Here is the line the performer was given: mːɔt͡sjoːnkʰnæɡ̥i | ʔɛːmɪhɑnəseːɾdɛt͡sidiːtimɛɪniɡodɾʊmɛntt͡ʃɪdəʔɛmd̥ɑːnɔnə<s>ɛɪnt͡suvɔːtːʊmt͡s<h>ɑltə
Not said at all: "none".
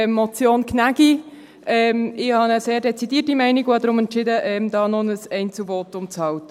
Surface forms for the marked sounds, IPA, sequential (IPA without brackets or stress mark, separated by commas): s, h